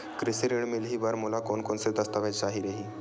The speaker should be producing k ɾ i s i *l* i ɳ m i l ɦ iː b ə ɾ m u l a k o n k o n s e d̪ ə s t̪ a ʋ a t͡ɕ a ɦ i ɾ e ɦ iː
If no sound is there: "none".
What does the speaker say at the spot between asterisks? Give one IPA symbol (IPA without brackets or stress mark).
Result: ɾ